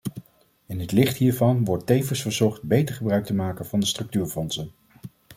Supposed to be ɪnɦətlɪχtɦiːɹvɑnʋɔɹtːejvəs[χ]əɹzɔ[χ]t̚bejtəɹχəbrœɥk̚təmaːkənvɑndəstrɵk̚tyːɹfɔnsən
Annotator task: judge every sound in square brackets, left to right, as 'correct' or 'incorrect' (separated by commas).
incorrect, correct